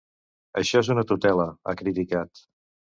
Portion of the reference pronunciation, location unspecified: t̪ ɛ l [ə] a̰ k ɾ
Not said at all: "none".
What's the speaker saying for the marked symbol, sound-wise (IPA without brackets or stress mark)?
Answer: ə